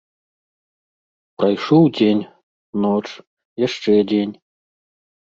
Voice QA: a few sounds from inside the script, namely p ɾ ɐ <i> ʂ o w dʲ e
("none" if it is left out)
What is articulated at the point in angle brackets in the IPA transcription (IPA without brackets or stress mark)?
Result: j